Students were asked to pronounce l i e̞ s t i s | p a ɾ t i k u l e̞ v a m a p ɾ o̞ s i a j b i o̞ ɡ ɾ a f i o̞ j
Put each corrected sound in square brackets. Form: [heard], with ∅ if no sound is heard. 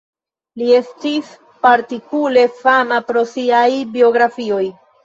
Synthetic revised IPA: l i e̞ s t i s | p a ɾ t i k u l e̞ [f] a [n] a p ɾ o̞ s i a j b i o̞ ɡ ɾ a f i o̞ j